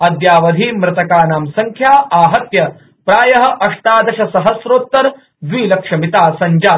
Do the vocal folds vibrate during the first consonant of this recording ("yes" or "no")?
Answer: yes